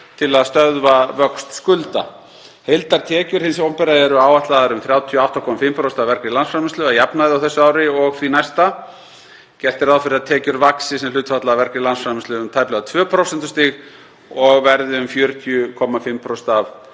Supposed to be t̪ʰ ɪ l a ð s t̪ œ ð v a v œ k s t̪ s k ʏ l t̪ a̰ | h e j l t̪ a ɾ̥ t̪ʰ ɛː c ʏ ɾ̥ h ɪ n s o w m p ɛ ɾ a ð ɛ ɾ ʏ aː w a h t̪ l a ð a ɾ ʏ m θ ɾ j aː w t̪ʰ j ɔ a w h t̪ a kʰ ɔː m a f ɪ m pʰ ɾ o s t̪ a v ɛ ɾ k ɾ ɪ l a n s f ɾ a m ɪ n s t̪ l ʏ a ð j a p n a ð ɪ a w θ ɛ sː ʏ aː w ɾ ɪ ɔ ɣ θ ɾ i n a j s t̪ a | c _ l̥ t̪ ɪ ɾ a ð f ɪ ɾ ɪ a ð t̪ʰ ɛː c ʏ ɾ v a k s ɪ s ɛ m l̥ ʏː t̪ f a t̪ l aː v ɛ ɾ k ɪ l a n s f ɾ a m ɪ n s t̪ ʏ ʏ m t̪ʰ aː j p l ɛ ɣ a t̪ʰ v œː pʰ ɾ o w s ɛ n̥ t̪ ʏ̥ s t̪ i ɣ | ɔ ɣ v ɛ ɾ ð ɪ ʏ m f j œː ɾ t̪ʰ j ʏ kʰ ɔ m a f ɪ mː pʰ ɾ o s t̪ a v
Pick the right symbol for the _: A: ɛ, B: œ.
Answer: A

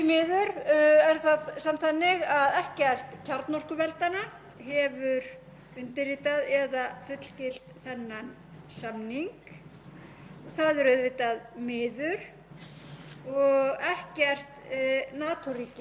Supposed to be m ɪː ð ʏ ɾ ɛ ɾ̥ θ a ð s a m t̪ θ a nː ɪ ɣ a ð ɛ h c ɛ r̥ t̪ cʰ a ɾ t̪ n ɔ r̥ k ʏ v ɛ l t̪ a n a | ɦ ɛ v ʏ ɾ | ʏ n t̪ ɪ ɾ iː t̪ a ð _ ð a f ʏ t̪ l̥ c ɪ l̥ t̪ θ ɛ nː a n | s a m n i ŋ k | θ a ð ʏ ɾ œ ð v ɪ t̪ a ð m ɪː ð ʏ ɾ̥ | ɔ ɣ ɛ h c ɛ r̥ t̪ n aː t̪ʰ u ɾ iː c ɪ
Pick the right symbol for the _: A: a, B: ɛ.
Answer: B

